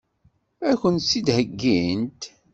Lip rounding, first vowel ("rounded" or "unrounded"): unrounded